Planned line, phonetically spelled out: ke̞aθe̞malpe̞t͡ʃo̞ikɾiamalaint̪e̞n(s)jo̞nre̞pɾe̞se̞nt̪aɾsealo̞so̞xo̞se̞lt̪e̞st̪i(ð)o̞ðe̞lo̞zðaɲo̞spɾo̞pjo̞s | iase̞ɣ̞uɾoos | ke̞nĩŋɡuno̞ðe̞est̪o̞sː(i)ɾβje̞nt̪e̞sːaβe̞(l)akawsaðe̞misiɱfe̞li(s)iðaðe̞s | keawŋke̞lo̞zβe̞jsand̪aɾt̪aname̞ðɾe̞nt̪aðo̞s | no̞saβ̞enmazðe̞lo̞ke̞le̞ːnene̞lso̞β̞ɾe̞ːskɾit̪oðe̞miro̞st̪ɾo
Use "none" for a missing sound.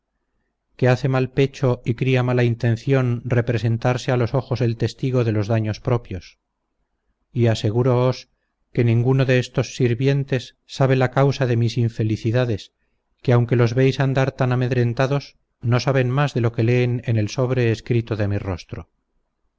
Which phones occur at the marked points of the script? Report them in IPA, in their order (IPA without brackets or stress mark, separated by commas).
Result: θ, ɣ, i, l, θ